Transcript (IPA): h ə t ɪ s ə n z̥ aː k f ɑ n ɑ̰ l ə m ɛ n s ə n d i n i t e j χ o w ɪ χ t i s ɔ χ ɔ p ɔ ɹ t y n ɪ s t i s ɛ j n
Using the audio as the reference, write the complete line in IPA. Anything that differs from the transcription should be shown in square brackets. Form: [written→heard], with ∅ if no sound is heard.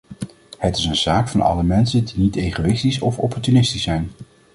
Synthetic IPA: h ə t ɪ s ə n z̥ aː k f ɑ n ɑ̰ l ə m ɛ n s ə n d i n i t e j χ o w ɪ [χ→s] t i s ɔ [χ→f] ɔ p ɔ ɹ t y n ɪ s t i s ɛ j n